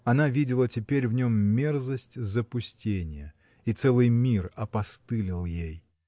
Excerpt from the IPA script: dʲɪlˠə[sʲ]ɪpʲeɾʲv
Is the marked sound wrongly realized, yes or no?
yes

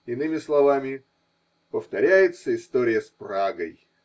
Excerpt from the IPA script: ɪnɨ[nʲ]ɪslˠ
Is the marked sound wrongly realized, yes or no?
yes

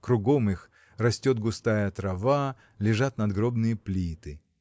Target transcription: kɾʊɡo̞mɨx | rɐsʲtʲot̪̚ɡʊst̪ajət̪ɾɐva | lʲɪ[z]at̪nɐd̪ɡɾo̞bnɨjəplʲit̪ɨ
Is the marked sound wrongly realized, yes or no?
yes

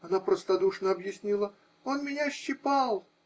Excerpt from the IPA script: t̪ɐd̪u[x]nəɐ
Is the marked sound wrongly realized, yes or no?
yes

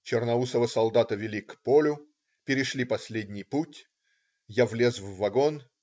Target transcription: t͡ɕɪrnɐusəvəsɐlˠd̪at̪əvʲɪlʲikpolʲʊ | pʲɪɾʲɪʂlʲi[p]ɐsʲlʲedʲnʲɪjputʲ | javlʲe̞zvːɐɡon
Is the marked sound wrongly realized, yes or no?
no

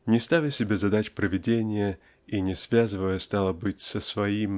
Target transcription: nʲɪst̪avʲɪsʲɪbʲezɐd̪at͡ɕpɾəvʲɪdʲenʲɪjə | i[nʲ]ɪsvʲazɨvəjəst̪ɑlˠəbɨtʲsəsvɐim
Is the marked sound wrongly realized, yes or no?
no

